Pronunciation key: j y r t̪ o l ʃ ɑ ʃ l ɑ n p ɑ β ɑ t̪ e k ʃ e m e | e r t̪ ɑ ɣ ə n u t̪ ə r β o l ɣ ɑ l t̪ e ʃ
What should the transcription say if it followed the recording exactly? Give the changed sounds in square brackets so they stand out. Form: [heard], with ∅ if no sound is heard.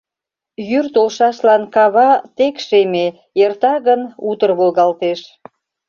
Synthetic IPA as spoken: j y r t̪ o l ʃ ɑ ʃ l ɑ n [k] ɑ β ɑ t̪ e k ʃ e m e | e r t̪ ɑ ɣ ə n u t̪ ə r β o l ɣ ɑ l t̪ e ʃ